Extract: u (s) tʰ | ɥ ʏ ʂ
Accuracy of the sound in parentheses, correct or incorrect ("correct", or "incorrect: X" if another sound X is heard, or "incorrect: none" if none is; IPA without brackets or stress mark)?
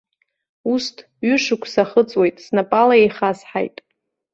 correct